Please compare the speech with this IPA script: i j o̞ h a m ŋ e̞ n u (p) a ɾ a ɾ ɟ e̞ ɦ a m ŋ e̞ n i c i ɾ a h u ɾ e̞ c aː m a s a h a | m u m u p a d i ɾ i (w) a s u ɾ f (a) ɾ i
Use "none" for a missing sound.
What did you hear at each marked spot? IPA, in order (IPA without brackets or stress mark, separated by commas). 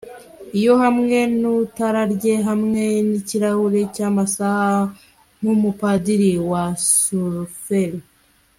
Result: t, w, e